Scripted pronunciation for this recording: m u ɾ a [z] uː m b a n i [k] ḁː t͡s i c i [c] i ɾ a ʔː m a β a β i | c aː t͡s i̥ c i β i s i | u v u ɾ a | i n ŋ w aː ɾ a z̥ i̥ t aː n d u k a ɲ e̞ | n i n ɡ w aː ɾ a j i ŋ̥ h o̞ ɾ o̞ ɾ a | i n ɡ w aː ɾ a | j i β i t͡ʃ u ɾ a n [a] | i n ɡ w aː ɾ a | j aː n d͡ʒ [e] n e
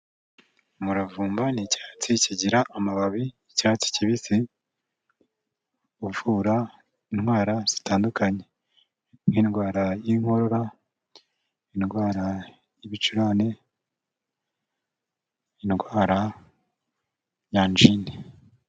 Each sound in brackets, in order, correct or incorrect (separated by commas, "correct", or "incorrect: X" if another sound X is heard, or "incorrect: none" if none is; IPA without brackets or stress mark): incorrect: v, incorrect: c, incorrect: ɟ, incorrect: e, incorrect: i